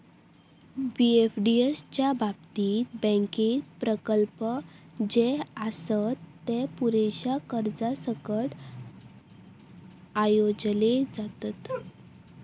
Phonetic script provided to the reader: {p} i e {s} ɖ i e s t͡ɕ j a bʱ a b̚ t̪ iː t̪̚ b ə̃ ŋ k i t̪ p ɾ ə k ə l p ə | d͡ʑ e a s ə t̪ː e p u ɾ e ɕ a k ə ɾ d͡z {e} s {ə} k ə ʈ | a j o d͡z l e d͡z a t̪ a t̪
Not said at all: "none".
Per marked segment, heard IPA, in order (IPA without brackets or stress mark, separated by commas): b, f, a, ə